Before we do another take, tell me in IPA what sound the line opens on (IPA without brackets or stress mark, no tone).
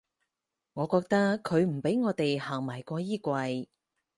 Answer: ŋ